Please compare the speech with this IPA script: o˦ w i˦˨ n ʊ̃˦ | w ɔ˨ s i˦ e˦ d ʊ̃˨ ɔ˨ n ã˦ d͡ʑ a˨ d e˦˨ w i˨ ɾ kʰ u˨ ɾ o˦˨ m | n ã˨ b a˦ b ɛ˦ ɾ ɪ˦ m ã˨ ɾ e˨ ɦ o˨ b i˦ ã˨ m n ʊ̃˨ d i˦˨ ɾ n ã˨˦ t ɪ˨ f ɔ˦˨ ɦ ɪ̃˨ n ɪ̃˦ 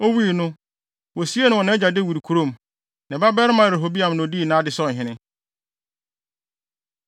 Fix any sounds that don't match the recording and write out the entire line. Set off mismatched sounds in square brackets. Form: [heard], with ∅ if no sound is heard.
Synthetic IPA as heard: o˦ w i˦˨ n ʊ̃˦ | w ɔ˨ s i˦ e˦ [n] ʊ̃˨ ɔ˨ n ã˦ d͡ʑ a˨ d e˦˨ w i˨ ɾ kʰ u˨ ɾ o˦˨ m | n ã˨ b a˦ b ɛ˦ ɾ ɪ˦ m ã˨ ɾ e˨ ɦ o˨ b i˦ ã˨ m n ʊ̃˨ d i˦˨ [∅] n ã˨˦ [d] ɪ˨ [s] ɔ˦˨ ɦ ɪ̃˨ n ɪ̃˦